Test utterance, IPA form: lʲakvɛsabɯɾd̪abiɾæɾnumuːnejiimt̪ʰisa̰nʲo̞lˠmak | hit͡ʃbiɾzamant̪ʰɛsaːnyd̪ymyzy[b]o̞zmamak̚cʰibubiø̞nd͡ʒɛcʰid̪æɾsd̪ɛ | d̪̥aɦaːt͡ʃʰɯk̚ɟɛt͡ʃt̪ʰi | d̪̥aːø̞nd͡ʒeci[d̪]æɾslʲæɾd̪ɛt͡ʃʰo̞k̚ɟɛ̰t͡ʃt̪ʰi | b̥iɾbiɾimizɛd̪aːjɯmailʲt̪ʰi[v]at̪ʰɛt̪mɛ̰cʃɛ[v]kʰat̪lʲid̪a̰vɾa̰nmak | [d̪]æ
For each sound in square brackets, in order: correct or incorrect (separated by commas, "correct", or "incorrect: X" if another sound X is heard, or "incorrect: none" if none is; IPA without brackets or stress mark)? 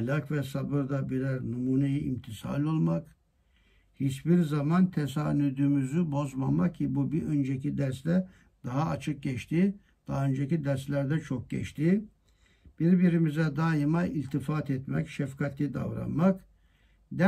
correct, correct, incorrect: f, incorrect: f, correct